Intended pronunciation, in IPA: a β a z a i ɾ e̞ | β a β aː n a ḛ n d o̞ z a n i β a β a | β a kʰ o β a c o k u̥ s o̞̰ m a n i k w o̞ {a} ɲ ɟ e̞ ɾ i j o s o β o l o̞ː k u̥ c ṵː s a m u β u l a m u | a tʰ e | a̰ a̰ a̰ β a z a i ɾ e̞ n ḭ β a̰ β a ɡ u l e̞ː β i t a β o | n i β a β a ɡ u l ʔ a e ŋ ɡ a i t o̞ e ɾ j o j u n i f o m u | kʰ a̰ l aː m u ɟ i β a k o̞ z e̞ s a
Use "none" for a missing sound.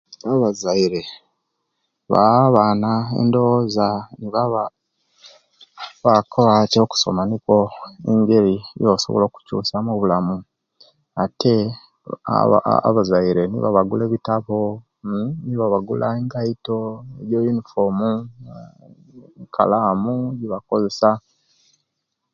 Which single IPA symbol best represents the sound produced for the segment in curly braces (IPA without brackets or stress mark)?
e